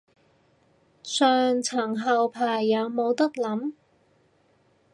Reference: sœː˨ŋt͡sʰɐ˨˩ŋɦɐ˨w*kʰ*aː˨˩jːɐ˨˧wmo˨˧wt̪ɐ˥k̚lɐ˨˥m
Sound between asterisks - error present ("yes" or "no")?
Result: yes